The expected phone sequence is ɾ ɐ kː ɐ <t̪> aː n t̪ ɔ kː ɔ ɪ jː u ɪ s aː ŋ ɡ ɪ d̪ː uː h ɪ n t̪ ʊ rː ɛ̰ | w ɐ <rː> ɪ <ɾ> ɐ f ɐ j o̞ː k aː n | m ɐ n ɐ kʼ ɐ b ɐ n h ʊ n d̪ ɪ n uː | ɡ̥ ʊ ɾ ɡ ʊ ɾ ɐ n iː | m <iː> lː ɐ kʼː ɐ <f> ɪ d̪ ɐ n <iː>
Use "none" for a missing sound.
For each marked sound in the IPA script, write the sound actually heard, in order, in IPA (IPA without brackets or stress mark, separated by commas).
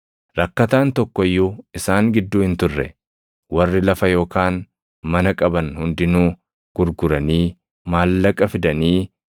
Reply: t̪, rː, l, aː, f, iː